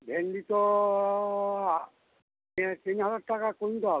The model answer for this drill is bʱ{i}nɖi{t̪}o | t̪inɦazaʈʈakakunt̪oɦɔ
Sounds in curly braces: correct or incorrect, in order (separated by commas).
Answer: incorrect, correct